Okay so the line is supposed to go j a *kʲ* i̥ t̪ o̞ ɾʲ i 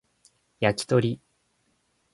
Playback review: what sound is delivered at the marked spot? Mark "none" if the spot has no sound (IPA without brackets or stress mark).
kʲ